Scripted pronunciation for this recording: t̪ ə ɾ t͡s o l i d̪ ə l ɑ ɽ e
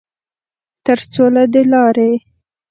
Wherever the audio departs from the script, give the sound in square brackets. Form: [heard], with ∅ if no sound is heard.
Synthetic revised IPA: t̪ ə ɾ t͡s o l [a] d̪ ə l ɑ [ɾ] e

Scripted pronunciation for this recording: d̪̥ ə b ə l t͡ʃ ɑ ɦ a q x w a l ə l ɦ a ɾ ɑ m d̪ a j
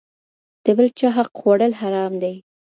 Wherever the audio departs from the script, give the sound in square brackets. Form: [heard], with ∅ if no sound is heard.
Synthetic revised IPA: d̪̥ ə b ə l t͡ʃ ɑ ɦ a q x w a [ɽ] ə l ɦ a ɾ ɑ m d̪ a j

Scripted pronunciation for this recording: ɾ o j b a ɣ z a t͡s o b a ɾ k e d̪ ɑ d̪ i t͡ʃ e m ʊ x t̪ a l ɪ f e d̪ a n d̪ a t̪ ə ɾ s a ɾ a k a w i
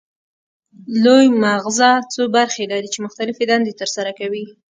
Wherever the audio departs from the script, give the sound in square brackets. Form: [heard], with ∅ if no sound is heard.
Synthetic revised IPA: [l] o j [m] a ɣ z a t͡s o b a ɾ [x] e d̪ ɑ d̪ i t͡ʃ e m ʊ x t̪ a l ɪ f e d̪ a n d̪ [e] t̪ ə ɾ s a ɾ a k a w i

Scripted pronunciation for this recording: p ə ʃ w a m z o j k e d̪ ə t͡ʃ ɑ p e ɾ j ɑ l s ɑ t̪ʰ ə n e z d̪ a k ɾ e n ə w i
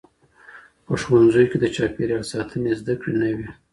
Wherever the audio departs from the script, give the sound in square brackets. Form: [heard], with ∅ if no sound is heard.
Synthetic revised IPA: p ə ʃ w a [n] z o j k e d̪ ə t͡ʃ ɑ p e ɾ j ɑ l s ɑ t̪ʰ ə n e z d̪ a k [ɽ] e n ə w i

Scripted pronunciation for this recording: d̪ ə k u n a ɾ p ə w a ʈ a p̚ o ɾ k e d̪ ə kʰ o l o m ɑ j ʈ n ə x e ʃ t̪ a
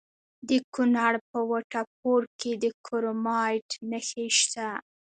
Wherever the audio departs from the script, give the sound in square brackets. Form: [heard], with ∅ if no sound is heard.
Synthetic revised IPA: d̪ ə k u n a [ɽ] p ə w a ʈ a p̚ o ɾ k e d̪ ə kʰ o [ɾ] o m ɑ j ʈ n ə x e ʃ t̪ a

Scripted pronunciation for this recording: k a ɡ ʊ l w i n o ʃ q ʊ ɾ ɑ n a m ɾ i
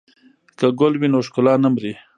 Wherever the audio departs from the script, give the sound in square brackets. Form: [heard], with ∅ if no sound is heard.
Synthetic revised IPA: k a ɡ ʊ l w i n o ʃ [k] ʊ [l] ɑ n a m ɾ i

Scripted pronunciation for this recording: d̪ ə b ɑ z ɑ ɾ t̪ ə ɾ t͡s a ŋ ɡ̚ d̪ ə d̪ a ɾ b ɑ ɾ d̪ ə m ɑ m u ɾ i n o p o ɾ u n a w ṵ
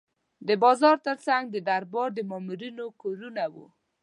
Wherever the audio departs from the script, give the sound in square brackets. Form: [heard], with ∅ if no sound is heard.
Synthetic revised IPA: d̪ ə b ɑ z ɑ ɾ t̪ ə ɾ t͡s a ŋ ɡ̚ d̪ ə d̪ a ɾ b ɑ ɾ d̪ ə m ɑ m u ɾ i n o [k] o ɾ u n a w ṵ

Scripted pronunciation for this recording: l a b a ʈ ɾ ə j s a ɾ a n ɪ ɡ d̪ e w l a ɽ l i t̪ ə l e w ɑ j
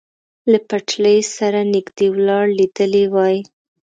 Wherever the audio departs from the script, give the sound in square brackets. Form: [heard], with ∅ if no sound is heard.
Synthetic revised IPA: l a [p] a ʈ [l] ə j s a ɾ a n ɪ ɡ d̪ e w l [ɑ] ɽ l i [d̪] ə l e w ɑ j

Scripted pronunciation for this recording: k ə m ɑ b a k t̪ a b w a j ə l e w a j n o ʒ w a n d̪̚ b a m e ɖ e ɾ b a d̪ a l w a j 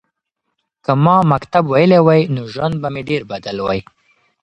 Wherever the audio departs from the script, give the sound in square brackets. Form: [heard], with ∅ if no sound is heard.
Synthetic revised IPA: k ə m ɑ [m] a k t̪ a b w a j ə l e w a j n o ʒ w a n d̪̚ b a m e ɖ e ɾ b a d̪ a l w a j

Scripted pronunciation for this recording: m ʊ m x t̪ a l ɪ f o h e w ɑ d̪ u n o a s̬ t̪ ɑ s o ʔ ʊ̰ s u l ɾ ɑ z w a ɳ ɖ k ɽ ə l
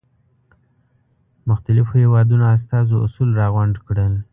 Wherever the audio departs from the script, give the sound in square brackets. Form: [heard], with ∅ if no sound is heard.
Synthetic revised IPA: m ʊ [∅] x t̪ a l ɪ f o h e w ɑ d̪ u n o a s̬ t̪ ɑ [z] o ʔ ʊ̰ s u l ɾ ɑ [ɣ] w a ɳ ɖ k ɽ ə l

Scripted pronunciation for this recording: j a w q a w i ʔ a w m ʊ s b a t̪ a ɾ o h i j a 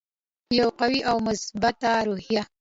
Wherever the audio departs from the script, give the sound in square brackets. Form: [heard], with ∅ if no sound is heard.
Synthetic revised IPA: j a w q a w i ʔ a w m ʊ s b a t̪ a ɾ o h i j a

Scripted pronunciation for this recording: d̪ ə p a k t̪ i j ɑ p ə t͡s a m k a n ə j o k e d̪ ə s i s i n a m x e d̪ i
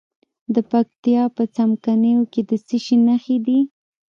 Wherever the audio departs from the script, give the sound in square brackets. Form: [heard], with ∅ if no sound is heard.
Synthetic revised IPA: d̪ ə p a k t̪ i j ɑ p ə t͡s a m k a n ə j o k e d̪ ə s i [ʃ] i n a [∅] x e d̪ i

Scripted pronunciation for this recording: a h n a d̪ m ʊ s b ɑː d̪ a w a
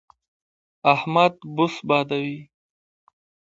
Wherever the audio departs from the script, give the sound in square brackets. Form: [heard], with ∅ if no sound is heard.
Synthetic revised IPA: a h [m] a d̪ [b] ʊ s b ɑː d̪ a w [i]

